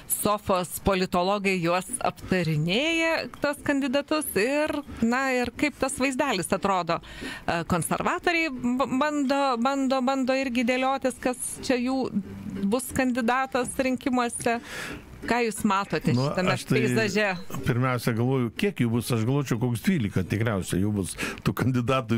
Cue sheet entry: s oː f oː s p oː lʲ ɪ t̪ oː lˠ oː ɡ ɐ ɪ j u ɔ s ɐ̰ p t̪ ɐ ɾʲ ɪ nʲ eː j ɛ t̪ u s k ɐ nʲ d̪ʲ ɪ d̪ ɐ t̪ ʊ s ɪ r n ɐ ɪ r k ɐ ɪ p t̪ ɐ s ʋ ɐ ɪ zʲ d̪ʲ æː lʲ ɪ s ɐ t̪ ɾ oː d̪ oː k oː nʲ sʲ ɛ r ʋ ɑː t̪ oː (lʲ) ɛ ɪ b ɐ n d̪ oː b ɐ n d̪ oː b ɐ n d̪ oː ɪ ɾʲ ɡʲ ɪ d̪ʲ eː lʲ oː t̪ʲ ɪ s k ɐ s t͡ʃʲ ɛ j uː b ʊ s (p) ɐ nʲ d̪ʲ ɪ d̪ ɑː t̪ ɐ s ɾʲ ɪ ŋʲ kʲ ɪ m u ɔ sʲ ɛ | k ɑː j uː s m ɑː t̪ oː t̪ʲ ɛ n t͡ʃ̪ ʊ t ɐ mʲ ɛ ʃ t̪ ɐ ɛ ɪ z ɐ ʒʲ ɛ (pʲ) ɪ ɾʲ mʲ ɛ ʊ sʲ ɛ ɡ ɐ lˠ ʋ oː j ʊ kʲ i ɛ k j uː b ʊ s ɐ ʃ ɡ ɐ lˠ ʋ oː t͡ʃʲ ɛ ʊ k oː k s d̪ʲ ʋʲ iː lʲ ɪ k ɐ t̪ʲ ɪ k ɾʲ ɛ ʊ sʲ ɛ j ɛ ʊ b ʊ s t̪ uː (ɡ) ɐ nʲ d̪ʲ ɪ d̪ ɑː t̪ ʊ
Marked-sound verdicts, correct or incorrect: incorrect: ɾʲ, incorrect: k, correct, incorrect: k

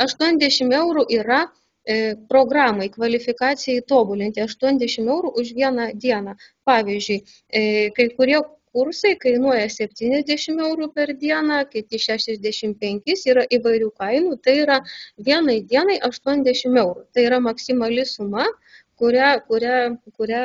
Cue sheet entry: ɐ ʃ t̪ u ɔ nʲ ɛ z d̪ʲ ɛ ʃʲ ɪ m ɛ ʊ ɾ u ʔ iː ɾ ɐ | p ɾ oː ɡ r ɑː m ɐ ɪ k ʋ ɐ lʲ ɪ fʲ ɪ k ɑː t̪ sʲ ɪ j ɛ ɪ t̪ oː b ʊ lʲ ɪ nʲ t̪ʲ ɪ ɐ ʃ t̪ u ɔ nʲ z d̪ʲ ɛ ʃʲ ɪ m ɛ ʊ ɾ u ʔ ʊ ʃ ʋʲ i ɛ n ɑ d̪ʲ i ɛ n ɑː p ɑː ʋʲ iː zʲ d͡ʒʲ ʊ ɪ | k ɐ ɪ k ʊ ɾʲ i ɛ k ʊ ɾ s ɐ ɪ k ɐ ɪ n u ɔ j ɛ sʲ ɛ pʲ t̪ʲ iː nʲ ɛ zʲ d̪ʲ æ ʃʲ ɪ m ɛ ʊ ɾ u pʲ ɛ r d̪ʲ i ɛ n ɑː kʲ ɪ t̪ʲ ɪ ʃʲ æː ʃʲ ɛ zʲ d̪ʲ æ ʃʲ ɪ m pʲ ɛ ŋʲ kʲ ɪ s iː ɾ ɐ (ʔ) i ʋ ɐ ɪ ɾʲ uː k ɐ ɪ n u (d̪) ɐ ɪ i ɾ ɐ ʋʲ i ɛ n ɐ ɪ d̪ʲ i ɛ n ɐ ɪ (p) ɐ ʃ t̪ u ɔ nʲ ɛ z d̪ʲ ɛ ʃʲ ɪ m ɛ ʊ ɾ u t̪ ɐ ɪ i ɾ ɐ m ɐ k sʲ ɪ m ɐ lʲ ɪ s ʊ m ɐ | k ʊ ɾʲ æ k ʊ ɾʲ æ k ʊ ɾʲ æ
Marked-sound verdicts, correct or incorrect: correct, incorrect: t̪, incorrect: ʔ

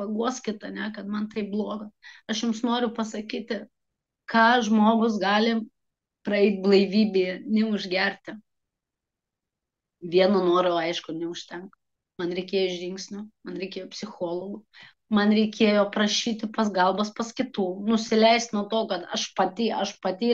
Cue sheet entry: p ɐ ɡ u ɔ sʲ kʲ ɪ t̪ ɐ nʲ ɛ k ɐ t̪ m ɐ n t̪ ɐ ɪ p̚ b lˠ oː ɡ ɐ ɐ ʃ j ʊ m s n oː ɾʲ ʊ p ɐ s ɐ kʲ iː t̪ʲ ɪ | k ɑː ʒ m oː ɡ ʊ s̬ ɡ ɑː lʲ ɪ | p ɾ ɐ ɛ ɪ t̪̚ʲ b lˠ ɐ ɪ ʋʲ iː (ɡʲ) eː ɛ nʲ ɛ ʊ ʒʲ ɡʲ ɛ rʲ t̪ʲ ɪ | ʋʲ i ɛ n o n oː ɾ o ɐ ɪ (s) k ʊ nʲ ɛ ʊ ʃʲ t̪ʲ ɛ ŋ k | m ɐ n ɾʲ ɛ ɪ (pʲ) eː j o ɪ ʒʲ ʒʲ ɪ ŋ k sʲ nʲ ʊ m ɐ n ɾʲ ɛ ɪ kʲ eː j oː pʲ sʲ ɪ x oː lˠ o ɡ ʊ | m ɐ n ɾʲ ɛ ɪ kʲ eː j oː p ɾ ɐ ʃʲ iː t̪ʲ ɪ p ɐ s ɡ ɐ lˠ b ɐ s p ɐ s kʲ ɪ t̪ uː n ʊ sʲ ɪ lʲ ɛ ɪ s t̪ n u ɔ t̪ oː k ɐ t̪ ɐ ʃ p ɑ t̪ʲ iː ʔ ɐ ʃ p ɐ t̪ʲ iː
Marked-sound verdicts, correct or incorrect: incorrect: bʲ, incorrect: ʃ, incorrect: kʲ

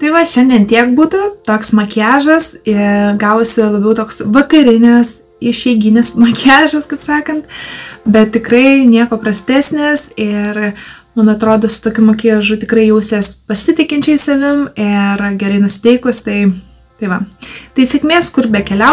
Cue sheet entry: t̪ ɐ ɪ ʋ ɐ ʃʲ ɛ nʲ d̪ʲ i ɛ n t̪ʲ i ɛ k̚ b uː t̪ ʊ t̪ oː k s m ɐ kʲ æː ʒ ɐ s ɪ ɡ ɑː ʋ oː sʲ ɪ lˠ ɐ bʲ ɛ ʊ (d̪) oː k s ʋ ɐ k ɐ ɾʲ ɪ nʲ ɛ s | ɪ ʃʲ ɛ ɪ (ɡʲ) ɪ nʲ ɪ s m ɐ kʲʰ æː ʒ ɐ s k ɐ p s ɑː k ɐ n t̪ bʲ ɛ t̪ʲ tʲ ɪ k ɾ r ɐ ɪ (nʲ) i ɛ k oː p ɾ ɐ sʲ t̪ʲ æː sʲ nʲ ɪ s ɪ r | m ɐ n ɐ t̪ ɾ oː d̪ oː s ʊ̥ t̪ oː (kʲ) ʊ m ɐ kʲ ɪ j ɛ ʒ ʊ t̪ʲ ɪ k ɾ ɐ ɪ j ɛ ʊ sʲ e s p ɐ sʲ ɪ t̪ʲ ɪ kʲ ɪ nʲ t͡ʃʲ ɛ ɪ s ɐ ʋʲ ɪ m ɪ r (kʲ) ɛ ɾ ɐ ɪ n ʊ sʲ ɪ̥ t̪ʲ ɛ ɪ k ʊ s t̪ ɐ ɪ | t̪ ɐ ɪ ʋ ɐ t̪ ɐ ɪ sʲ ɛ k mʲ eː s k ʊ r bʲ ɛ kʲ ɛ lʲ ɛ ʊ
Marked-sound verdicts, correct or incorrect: incorrect: t̪, correct, correct, correct, incorrect: ɡʲ

